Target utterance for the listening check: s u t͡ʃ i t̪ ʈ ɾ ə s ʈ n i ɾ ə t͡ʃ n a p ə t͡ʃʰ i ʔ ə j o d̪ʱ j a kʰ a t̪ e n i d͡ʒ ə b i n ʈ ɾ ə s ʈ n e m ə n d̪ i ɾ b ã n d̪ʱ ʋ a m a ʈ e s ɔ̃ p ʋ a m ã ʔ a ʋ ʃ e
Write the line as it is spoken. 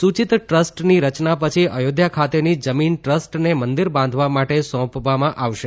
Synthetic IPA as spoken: s u t͡ʃ i t̪ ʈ ɾ ə s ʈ n i ɾ ə t͡ʃ n a p ə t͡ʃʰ i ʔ ə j o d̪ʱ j a kʰ a t̪ e n i d͡ʒ ə m i n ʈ ɾ ə s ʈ n e m ə n d̪ i ɾ b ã n d̪ʱ ʋ a m a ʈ e s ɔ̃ p ʋ a m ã ʔ a ʋ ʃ e